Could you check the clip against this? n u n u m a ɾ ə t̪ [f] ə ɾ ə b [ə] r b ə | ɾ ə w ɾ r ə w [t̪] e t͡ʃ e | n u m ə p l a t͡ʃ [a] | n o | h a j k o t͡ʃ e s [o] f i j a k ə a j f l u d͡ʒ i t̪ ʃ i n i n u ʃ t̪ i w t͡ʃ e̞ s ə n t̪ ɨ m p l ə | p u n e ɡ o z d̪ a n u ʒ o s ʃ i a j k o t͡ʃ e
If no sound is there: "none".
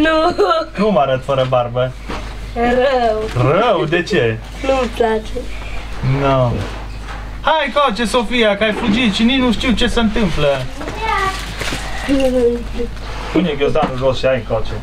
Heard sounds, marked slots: f, a, d̪, e, o

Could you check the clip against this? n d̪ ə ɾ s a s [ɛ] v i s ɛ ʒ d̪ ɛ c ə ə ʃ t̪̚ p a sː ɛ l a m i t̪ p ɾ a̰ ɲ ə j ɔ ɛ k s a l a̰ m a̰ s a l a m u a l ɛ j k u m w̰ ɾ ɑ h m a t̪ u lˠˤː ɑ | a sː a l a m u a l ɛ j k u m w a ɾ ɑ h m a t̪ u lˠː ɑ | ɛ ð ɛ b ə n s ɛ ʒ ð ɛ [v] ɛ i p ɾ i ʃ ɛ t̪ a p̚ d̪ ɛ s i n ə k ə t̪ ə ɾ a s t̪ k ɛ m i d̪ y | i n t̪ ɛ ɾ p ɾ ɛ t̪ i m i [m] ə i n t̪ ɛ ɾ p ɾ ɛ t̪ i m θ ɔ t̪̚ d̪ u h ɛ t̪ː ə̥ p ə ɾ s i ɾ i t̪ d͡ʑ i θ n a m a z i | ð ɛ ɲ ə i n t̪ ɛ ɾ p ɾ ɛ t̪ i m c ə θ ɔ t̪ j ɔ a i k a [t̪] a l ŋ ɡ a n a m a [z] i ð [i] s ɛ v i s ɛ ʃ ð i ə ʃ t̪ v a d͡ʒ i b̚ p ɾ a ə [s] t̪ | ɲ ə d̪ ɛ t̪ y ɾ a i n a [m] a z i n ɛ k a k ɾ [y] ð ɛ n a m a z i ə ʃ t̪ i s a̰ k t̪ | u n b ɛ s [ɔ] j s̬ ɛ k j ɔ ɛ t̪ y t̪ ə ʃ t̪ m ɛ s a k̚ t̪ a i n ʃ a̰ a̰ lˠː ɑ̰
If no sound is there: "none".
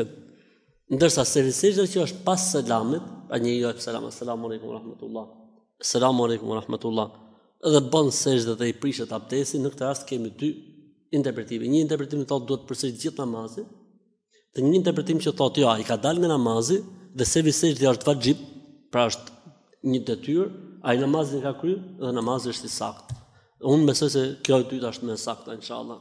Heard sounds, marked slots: ɛ, ð, ɲ, d̪, z, ɛ, ʃ, m, y, ɔ

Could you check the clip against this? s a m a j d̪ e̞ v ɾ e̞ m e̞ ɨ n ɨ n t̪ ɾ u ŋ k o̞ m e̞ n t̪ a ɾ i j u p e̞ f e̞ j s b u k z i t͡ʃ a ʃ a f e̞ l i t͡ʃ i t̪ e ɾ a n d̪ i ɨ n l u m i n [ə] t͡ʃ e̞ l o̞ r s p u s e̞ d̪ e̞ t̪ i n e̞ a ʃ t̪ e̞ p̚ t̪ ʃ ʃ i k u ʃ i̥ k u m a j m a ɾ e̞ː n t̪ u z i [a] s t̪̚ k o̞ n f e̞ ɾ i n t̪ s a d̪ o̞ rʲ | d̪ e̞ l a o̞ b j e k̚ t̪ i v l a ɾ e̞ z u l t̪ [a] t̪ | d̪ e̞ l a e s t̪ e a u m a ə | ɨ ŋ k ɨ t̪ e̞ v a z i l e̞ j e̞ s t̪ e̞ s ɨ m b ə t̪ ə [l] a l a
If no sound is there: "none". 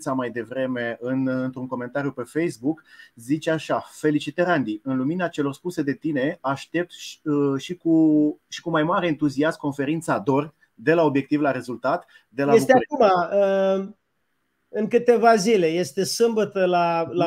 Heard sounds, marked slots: a, a, a, l

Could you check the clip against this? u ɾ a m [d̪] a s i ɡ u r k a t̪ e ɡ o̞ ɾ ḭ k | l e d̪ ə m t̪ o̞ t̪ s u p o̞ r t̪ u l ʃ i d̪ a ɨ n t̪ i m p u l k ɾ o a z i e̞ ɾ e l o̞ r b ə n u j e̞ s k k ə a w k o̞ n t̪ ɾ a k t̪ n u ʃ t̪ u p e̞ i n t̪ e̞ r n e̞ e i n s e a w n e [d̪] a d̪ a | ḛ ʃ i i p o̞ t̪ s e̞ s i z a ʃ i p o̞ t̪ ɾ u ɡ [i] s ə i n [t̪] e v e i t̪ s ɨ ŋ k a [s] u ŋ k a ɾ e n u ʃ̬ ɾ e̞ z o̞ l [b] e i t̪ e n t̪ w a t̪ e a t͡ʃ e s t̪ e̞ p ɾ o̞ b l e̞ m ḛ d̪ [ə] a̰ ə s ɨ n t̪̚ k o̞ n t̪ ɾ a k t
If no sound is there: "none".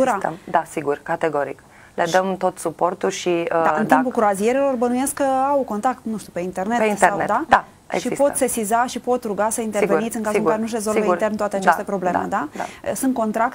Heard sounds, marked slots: d̪, d̪, a, t̪, z, v, a

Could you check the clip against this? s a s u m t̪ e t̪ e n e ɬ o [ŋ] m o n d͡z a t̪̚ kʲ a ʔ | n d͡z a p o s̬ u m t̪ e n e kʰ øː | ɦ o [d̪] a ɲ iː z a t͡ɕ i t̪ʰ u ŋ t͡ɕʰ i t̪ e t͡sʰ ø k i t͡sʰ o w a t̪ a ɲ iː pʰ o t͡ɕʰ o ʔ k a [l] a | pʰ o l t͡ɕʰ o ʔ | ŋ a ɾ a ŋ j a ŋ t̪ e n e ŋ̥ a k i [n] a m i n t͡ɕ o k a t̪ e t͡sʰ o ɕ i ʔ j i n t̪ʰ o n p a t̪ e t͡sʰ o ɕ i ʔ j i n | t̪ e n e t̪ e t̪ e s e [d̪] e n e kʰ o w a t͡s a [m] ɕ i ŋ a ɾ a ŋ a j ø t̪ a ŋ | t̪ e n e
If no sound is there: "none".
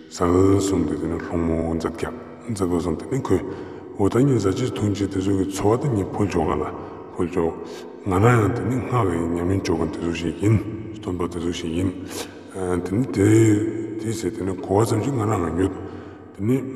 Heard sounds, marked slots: ŋ, t̪, l, ɲ, t̪, m

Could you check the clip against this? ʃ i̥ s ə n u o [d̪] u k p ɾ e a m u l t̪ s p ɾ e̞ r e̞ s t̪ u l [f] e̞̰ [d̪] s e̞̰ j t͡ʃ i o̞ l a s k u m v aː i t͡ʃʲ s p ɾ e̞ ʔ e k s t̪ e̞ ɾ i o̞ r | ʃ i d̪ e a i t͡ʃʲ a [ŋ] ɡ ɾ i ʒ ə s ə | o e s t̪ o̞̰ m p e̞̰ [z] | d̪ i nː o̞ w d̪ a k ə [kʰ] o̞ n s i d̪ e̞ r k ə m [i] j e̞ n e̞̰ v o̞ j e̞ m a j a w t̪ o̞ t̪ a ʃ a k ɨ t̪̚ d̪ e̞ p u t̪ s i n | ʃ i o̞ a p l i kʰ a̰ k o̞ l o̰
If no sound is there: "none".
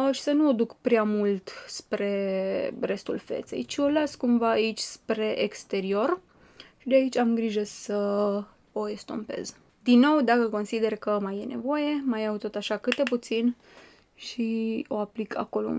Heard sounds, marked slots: d̪, f, t̪, m, z, k, a

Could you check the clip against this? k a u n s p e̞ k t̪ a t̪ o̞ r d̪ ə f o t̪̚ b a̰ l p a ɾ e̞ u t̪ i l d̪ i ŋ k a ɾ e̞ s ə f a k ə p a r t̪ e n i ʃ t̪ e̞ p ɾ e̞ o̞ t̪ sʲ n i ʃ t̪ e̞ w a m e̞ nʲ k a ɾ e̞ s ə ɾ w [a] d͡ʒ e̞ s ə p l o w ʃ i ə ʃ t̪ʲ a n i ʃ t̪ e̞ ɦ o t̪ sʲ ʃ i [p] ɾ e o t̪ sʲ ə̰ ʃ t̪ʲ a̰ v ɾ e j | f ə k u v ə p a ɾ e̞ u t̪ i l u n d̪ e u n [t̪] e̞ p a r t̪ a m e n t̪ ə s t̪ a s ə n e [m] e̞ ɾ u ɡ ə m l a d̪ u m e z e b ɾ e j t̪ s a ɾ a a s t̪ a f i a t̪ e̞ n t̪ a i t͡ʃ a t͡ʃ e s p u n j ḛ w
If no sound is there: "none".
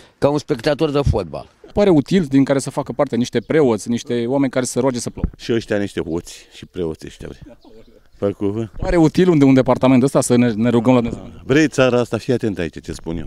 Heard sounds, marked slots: a, p, d̪, n

